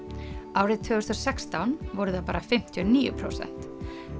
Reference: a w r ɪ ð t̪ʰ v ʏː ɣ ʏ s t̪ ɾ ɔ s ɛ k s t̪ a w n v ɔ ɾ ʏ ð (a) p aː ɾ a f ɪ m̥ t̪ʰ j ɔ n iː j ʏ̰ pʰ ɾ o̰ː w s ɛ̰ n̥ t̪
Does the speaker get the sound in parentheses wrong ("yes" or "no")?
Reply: no